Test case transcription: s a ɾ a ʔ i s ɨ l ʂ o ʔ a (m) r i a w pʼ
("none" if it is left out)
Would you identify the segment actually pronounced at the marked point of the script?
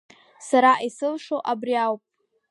b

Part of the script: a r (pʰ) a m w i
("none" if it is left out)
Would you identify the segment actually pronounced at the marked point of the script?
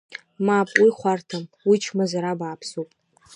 tʰ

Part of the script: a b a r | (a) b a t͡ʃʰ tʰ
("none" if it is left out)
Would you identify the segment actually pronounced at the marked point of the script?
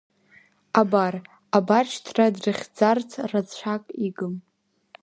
a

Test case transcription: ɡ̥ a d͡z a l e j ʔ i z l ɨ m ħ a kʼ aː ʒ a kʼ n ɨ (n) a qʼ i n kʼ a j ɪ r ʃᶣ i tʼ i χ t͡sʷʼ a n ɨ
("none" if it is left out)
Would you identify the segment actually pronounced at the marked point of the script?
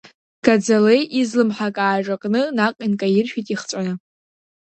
n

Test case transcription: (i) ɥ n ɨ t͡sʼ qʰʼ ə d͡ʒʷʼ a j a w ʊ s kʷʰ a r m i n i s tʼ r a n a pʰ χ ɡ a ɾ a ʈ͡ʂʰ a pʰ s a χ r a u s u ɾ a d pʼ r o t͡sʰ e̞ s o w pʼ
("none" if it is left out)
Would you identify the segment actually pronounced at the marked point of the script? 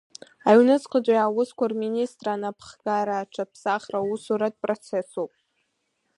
a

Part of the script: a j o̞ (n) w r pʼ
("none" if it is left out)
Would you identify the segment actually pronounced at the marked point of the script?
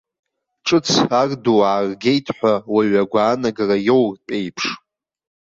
none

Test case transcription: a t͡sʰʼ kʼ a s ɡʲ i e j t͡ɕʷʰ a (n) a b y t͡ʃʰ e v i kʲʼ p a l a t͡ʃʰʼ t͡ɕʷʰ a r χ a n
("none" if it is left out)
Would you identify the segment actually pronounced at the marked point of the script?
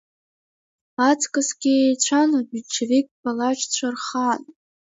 n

